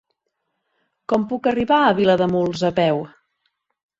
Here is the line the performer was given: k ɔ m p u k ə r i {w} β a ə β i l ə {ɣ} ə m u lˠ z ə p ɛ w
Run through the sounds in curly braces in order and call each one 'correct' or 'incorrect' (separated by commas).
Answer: incorrect, incorrect